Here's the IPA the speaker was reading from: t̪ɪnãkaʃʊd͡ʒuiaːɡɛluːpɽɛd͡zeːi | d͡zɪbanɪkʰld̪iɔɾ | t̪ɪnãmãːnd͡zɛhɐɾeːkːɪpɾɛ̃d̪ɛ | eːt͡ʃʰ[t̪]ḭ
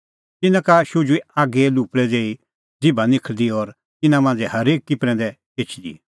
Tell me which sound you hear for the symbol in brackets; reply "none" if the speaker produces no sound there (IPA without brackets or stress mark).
d̪